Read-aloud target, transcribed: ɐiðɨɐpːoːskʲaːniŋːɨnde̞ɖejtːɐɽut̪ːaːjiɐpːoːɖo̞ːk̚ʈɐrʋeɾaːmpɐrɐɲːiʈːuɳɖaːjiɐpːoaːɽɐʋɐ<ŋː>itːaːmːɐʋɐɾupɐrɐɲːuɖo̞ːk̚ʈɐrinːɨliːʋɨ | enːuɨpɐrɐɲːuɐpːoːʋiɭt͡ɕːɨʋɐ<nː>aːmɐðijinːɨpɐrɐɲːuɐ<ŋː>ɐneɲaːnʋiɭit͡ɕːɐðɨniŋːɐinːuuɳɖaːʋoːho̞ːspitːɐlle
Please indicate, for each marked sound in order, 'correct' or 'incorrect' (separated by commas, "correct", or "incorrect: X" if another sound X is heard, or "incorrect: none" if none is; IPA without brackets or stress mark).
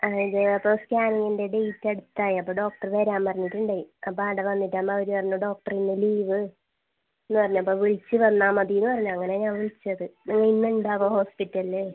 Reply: incorrect: nː, correct, correct